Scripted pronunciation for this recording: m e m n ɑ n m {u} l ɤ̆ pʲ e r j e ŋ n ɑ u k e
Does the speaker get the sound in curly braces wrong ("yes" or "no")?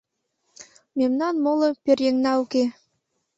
yes